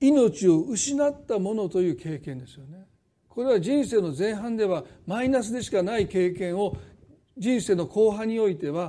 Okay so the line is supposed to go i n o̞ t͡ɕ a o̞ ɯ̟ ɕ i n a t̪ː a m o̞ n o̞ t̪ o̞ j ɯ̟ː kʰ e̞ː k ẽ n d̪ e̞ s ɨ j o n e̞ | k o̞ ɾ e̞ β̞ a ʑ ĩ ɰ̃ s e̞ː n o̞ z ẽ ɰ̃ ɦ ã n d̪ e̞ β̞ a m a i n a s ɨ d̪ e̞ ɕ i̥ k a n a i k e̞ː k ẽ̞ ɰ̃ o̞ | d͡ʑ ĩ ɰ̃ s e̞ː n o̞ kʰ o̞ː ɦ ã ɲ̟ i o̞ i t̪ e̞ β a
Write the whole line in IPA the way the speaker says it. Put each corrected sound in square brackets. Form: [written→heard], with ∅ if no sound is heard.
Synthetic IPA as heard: i n o̞ t͡ɕ [a→i] o̞ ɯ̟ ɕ i n a t̪ː a m o̞ n o̞ t̪ o̞ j ɯ̟ː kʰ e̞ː k ẽ n d̪ e̞ s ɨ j o n e̞ | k o̞ ɾ e̞ β̞ a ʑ ĩ ɰ̃ s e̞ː n o̞ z ẽ ɰ̃ ɦ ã n d̪ e̞ β̞ a m a i n a s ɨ d̪ e̞ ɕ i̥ k a n a i k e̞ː k ẽ̞ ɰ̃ o̞ | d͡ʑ ĩ ɰ̃ s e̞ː n o̞ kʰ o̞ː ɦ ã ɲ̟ i o̞ i t̪ e̞ β a